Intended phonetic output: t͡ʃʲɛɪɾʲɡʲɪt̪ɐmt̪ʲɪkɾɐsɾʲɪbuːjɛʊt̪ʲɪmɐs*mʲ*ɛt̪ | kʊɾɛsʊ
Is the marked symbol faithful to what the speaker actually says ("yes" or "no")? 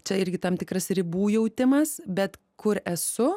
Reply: no